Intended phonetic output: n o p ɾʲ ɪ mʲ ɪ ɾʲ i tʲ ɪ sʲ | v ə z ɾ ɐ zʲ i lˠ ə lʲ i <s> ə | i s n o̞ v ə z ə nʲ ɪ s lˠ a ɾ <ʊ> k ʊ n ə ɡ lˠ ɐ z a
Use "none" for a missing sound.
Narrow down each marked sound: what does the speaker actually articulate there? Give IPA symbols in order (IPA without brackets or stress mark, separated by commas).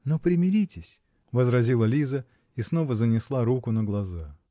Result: z, u